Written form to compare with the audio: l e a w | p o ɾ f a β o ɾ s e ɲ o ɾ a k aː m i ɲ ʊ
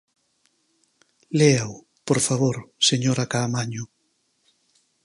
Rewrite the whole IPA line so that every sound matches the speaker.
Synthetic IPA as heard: l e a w | p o ɾ f a β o ɾ s e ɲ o ɾ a k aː m a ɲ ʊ